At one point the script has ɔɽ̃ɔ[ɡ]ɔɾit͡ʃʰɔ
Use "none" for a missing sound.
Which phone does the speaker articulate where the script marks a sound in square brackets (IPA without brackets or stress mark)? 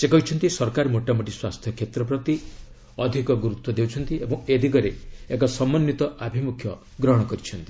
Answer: k